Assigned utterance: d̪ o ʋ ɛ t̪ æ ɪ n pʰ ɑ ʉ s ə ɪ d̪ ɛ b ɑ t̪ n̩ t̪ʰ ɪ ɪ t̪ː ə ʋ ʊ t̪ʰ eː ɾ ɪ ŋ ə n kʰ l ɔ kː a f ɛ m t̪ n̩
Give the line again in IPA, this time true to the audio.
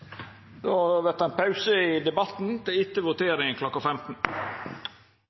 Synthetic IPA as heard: d̪ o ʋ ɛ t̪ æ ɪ n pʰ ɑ ʉ s ə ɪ d̪ ɛ b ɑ t̪ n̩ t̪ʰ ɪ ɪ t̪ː ə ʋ ʊ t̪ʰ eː ɾ ɪ ŋ ə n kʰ l ɔ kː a f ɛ m t̪ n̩